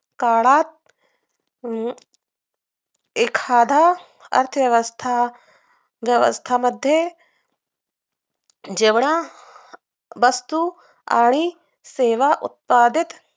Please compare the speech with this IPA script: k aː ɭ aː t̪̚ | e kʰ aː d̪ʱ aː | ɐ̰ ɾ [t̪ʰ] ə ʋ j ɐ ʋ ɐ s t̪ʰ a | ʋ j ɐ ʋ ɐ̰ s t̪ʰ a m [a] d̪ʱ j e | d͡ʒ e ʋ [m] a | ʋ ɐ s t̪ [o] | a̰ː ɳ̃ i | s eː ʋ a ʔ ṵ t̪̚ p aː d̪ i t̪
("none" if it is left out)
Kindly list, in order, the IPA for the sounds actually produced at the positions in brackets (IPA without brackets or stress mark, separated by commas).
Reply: t̪ʰ, ɐ, ɳ, u